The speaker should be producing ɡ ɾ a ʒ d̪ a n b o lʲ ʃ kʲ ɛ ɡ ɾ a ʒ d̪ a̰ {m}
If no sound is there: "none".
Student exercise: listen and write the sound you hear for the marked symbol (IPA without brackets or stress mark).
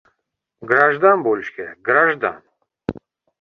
n